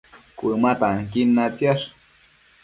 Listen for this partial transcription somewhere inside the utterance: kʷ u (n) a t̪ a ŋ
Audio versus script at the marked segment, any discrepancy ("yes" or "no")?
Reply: yes